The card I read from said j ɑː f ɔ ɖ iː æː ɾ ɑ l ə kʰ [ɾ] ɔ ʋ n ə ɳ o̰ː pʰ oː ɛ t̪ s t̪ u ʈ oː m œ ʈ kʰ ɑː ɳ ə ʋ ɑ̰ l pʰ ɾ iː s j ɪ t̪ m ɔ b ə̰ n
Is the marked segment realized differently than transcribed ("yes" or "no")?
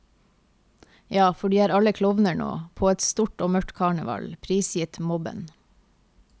yes